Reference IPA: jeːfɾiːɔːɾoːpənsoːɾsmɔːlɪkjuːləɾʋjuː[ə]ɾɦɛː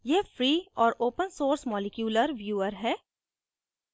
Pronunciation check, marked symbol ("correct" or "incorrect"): correct